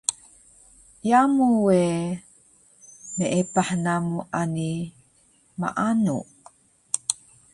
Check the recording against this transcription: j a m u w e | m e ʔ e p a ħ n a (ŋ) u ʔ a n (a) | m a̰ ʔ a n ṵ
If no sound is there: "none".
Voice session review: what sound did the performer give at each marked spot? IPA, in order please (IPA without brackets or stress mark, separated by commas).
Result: m, i